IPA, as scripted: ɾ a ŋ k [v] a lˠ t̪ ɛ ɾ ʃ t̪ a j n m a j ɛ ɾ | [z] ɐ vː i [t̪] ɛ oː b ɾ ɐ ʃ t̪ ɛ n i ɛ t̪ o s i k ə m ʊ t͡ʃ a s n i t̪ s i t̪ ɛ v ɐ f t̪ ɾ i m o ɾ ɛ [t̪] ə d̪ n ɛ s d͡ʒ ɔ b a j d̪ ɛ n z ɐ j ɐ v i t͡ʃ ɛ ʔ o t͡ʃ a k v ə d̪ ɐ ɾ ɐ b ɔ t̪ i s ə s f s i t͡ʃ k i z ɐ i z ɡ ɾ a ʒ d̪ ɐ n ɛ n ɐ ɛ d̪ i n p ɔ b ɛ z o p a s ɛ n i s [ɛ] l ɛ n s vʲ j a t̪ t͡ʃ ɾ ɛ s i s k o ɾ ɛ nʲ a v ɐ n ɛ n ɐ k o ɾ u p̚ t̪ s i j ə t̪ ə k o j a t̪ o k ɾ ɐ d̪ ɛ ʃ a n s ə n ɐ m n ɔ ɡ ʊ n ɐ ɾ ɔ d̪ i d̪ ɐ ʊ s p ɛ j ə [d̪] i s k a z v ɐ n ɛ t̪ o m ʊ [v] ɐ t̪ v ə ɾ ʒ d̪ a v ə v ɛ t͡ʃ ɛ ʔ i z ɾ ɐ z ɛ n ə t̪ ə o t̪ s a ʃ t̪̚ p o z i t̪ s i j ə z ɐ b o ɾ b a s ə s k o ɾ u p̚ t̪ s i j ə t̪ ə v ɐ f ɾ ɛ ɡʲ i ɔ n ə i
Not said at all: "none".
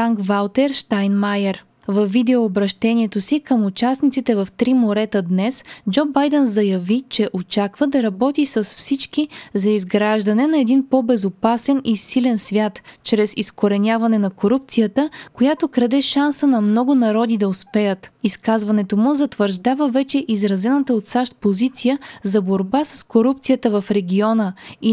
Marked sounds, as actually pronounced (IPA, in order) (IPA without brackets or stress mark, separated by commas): v, v, d̪, t̪, i, t̪, z